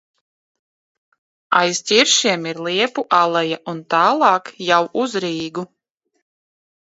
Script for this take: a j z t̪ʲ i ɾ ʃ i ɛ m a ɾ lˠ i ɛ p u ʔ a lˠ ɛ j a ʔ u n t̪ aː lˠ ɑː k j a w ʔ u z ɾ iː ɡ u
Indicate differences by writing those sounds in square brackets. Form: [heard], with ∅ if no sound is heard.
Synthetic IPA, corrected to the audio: a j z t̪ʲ i ɾ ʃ i ɛ m [i] ɾ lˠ i ɛ p u ʔ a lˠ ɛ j a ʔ u n t̪ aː lˠ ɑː k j a w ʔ u z ɾ iː ɡ u

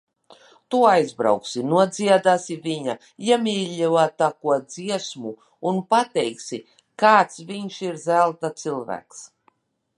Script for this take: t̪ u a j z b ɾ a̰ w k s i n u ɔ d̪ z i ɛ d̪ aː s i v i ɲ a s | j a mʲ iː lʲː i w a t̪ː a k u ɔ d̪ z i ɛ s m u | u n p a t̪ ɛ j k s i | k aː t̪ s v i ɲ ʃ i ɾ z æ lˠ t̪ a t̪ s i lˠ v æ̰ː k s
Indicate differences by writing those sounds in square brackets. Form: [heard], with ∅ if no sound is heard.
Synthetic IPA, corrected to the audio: t̪ u a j z b ɾ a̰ w k s i n u ɔ d̪ z i ɛ d̪ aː s i v i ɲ a [∅] | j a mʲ iː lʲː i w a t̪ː a k u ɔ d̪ z i ɛ s m u | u n p a t̪ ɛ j k s i | k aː t̪ s v i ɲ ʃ i ɾ z æ lˠ t̪ a t̪ s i lˠ v æ̰ː k s

